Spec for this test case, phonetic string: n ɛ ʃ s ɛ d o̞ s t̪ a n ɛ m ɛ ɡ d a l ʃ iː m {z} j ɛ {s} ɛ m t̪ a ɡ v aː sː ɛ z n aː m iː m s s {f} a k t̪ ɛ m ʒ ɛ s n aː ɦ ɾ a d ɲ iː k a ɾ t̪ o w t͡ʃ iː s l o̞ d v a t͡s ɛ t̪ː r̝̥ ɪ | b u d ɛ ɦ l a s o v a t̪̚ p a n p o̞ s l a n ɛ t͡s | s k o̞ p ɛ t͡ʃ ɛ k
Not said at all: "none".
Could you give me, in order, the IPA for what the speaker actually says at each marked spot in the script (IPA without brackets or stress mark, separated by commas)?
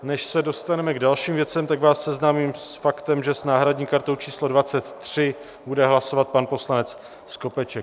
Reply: v, t͡s, f